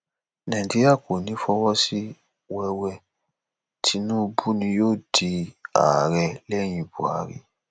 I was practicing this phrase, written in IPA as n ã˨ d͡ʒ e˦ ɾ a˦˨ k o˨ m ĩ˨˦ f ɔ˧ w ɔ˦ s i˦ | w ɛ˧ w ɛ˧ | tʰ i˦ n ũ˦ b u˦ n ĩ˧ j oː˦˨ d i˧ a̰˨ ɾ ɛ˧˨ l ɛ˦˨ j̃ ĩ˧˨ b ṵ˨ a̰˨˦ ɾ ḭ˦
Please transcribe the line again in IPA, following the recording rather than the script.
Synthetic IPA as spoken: n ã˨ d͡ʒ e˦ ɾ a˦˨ k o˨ n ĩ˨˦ f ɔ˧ w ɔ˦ s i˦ | w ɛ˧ w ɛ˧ | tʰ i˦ n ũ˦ b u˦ n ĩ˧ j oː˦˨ d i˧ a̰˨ ɾ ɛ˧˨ l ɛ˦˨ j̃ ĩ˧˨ b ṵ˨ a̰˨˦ ɾ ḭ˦